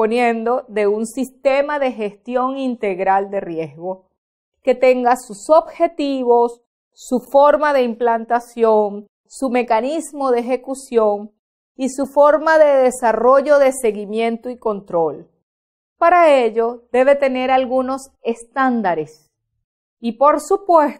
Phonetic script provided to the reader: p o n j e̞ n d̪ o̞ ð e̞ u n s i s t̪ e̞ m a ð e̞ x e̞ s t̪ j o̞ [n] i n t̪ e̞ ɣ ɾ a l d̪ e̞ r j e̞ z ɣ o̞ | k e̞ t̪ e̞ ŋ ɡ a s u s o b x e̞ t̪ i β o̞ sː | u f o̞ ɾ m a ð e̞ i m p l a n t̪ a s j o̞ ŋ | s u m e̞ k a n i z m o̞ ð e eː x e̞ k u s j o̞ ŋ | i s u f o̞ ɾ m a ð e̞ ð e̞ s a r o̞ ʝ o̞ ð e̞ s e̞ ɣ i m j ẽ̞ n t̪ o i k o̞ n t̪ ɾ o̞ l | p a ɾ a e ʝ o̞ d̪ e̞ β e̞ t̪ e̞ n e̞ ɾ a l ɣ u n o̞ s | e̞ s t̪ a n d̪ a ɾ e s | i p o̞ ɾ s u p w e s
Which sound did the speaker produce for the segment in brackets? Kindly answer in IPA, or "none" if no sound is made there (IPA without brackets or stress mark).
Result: ŋ